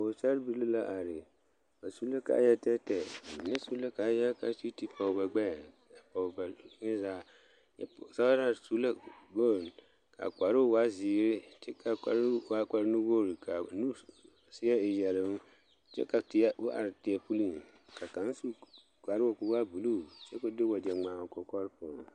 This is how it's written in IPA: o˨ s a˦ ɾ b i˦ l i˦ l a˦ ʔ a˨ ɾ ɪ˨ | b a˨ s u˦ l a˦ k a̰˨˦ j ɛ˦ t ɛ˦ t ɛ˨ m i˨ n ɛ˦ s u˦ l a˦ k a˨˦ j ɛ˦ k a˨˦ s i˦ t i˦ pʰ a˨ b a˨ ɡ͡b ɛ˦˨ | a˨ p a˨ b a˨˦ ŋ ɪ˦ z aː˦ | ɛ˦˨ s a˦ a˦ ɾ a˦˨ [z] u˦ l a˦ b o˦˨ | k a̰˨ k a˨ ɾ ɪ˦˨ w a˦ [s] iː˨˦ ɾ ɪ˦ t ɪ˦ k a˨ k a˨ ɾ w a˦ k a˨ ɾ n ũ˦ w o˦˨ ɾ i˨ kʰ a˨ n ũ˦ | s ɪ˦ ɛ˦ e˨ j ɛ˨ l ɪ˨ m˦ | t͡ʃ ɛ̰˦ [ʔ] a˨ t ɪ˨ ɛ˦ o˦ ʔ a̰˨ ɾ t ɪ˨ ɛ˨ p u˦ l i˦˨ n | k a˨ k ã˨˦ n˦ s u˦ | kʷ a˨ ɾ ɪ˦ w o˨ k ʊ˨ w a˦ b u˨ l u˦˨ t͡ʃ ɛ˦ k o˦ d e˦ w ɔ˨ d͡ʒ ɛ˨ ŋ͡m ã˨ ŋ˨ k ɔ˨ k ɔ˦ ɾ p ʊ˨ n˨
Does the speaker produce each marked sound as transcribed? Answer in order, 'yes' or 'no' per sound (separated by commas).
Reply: no, no, no